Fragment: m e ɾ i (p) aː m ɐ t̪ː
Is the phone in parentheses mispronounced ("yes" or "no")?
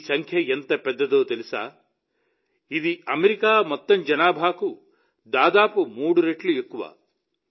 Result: yes